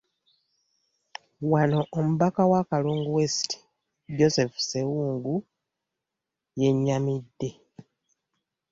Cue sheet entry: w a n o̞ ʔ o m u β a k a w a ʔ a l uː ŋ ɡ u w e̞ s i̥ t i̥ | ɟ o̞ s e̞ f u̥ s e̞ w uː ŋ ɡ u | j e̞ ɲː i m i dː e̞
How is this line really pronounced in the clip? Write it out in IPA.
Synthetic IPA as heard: w a n o̞ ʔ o m u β a k a w a k a l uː ŋ ɡ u w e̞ s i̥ t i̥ | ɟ o̞ s e̞ f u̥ s e̞ w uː ŋ ɡ u | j e̞ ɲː a m i dː e̞